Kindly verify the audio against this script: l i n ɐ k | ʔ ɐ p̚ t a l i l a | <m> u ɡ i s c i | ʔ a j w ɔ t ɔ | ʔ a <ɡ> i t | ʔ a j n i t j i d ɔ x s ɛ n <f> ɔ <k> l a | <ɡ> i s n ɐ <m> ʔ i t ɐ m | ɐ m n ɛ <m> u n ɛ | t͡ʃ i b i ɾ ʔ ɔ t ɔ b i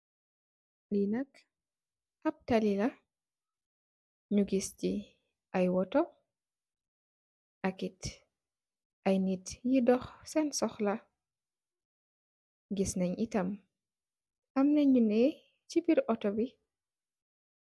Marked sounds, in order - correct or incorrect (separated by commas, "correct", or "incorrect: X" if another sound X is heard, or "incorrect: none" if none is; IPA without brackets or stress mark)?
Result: incorrect: ɲ, incorrect: k, incorrect: s, incorrect: x, correct, incorrect: ɲ, incorrect: ɲ